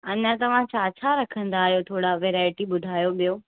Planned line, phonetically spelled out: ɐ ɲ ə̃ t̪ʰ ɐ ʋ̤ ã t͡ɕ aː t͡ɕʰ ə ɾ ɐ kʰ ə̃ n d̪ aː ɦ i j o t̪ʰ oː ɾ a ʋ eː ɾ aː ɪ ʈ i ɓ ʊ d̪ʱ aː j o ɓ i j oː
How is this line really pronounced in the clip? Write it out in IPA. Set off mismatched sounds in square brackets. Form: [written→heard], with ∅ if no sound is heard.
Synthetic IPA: ɐ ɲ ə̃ [t̪ʰ→t̪] ɐ ʋ̤ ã t͡ɕ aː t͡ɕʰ [ə→a] ɾ ɐ kʰ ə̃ n d̪ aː ɦ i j o t̪ʰ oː [ɾ→ɽ] a ʋ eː ɾ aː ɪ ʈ i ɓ ʊ d̪ʱ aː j o ɓ i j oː